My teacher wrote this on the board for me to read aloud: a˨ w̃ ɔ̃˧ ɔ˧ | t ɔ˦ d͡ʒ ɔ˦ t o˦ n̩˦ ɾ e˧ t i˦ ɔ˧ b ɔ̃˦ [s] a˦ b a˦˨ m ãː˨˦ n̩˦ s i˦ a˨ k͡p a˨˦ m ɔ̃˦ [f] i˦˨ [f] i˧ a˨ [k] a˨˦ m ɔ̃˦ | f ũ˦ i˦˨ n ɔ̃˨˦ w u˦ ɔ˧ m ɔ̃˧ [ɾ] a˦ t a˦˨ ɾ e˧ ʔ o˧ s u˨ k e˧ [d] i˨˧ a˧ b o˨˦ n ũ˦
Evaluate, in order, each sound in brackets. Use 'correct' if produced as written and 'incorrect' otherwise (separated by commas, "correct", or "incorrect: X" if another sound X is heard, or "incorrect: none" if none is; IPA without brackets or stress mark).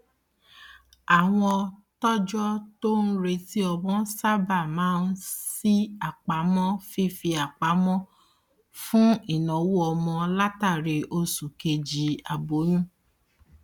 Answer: correct, correct, correct, incorrect: k͡p, incorrect: l, incorrect: d͡ʒ